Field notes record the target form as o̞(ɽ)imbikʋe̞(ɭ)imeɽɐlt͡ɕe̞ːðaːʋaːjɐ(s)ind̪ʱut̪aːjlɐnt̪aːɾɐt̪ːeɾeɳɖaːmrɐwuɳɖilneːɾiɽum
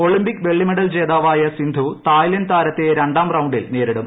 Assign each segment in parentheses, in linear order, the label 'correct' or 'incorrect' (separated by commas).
incorrect, incorrect, correct